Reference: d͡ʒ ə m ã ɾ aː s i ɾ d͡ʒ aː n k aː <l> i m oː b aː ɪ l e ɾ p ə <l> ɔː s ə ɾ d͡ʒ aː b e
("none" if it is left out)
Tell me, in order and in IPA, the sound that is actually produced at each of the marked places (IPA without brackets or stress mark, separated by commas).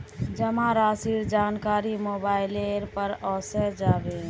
ɾ, ɾ